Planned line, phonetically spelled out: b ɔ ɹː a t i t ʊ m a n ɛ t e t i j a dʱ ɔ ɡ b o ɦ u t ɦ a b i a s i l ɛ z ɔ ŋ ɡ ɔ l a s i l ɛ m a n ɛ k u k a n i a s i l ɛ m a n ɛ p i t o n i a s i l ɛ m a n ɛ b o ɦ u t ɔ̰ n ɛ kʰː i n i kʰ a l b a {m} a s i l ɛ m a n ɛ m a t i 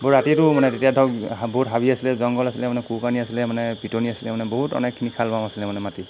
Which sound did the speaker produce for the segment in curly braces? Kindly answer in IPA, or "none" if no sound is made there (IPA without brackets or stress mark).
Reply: m